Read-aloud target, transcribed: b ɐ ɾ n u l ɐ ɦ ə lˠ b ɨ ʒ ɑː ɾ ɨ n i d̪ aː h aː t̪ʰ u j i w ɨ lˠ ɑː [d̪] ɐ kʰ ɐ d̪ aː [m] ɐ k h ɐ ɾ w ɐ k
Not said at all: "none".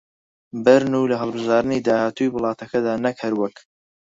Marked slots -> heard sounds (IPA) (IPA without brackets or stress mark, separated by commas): t̪, n